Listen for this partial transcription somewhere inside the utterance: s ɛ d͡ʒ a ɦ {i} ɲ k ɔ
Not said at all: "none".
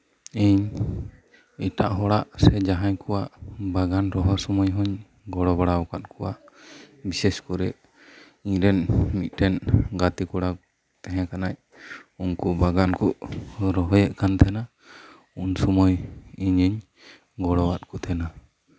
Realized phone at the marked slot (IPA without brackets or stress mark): a